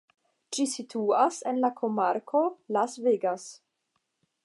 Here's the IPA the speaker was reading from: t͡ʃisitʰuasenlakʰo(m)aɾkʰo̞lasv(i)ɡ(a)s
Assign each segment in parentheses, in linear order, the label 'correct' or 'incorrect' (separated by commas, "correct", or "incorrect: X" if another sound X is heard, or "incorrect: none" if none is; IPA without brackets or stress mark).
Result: correct, incorrect: e, correct